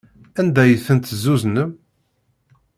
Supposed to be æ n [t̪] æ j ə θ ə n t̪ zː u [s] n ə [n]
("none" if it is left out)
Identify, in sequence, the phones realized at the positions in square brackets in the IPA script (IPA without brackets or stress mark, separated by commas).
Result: d̪, z, m